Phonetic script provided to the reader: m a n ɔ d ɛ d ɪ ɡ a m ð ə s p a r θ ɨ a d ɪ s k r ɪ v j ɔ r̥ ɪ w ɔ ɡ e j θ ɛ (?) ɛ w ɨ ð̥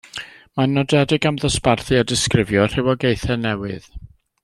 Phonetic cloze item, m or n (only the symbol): n